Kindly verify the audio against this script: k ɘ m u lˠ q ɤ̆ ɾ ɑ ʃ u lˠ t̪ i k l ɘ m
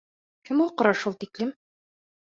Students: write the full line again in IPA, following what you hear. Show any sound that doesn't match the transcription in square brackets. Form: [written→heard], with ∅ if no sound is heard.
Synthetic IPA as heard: k ɘ m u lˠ q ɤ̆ ɾ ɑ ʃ u lˠ t̪ i k l ɘ m